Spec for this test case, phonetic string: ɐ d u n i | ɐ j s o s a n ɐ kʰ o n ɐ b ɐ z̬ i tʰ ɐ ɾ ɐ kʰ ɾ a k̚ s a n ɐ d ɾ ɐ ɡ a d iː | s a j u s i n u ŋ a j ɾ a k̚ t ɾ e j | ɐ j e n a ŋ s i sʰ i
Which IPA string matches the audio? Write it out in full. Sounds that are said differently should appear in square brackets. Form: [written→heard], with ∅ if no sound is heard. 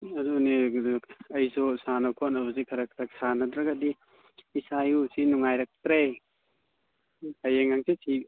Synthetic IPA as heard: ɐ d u n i | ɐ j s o s a n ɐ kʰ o n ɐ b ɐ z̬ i [tʰ→kʰ] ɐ ɾ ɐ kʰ ɾ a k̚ s a n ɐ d ɾ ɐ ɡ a d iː | s a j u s i n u ŋ a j ɾ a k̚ t ɾ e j | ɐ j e [n→ŋ] a ŋ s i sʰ i